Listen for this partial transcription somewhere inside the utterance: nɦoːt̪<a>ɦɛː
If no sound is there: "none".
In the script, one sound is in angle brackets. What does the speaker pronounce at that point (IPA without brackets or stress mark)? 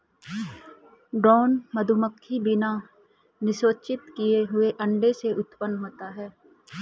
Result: a